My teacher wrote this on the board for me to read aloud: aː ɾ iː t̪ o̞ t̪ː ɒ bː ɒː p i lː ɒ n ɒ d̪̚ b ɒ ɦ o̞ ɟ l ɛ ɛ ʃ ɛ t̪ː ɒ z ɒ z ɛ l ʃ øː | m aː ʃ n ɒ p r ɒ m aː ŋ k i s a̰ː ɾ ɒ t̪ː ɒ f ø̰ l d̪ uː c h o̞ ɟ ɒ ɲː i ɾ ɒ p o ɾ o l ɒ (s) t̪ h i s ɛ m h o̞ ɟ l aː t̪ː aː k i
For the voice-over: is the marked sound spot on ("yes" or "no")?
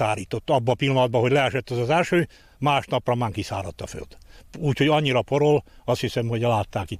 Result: yes